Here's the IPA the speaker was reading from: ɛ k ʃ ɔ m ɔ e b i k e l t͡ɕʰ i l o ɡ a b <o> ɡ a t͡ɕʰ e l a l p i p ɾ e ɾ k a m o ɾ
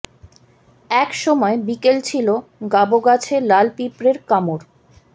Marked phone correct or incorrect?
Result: correct